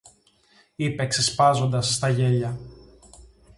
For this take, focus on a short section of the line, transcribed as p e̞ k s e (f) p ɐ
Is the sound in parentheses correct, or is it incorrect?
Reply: incorrect